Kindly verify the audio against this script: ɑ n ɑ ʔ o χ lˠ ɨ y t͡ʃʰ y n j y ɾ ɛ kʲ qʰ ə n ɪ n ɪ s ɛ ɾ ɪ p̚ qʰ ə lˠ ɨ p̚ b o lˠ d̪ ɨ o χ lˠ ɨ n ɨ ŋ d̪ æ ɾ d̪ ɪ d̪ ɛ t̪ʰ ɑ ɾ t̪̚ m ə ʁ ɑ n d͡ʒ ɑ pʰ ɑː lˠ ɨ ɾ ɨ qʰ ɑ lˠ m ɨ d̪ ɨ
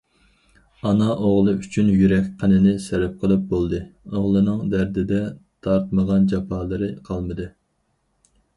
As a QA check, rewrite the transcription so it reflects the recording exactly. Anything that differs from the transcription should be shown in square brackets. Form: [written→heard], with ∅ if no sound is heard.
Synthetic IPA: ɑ n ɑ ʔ o [χ→ʁ] lˠ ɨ y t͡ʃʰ y n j y ɾ ɛ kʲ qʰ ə n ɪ n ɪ s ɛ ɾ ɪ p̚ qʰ ə lˠ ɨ p̚ b o lˠ d̪ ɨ o [χ→ʁ] lˠ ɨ n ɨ ŋ d̪ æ ɾ d̪ ɪ d̪ ɛ t̪ʰ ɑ ɾ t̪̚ m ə ʁ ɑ n d͡ʒ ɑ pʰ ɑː lˠ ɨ ɾ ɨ qʰ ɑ lˠ m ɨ d̪ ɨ